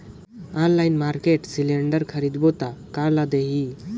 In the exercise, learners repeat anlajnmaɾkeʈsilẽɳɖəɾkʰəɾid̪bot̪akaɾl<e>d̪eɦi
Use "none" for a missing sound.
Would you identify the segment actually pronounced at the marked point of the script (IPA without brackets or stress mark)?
a